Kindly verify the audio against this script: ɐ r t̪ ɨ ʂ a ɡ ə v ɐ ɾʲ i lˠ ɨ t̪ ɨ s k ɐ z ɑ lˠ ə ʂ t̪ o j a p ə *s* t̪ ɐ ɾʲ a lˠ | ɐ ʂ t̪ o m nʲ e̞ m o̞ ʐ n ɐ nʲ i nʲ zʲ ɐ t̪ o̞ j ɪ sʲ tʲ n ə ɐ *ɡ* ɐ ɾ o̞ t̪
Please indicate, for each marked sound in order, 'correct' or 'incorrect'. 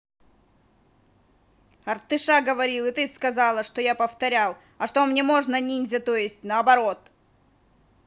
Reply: incorrect: f, incorrect: b

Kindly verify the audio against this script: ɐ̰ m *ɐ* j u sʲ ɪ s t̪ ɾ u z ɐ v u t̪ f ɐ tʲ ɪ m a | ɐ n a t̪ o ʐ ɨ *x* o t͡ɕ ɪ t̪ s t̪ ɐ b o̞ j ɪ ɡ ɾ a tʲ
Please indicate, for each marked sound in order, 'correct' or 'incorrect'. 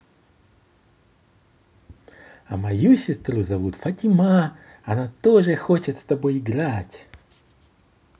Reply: correct, correct

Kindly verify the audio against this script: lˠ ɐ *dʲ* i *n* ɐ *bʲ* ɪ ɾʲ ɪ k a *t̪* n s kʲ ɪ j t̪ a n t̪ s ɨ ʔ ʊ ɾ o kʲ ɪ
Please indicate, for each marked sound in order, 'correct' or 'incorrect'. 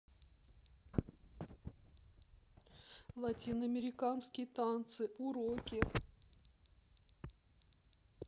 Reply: incorrect: tʲ, correct, incorrect: mʲ, incorrect: none

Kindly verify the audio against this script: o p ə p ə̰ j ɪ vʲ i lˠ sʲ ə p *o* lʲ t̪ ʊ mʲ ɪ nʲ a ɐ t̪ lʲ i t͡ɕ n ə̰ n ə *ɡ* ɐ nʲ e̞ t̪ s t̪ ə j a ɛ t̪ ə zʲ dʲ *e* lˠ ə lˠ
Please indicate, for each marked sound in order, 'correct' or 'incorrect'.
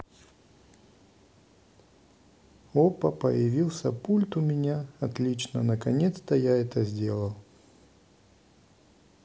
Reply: incorrect: u, incorrect: k, correct

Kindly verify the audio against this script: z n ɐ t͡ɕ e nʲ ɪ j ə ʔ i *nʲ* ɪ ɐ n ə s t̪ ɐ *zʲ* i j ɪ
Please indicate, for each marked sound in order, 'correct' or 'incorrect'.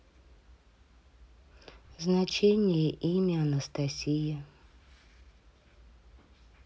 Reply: incorrect: mʲ, incorrect: sʲ

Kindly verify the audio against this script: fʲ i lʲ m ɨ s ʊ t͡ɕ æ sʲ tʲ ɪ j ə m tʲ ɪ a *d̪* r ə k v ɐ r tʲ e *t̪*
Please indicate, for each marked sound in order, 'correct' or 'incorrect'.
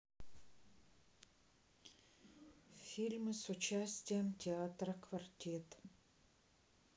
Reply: incorrect: t̪, correct

